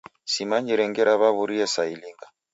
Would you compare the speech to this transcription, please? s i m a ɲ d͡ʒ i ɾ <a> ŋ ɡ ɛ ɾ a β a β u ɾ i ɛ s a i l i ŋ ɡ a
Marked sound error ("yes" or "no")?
yes